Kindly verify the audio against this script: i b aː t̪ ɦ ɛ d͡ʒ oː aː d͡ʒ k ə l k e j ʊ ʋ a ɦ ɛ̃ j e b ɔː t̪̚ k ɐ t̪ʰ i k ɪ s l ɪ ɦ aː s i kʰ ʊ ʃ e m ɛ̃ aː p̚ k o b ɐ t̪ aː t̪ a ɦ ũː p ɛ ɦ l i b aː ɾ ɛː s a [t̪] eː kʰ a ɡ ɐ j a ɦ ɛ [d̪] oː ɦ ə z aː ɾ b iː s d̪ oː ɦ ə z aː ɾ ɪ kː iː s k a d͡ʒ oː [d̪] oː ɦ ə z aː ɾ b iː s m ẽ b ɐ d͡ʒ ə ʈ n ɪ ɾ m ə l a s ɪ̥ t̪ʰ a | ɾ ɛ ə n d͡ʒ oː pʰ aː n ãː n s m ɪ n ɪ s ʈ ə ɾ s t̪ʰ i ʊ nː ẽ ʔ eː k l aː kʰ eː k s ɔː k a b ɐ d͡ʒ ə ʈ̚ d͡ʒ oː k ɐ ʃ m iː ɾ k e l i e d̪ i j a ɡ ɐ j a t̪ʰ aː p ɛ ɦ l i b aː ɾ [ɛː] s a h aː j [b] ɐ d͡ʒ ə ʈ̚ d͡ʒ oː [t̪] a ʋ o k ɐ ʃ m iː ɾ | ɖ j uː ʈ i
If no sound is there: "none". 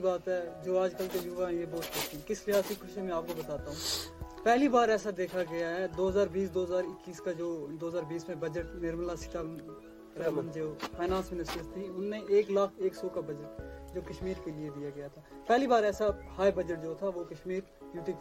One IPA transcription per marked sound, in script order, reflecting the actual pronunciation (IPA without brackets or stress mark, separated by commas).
d̪, d̪, d̪, ɛː, b, t̪ʰ